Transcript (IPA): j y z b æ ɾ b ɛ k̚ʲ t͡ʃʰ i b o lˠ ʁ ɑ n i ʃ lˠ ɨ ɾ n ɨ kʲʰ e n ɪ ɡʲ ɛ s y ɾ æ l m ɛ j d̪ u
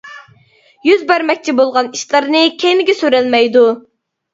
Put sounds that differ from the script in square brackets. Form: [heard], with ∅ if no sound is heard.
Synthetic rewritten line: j y z b æ ɾ [m] ɛ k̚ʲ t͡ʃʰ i b o lˠ ʁ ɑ n i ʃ lˠ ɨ ɾ n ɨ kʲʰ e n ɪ ɡʲ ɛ s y ɾ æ l m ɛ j d̪ u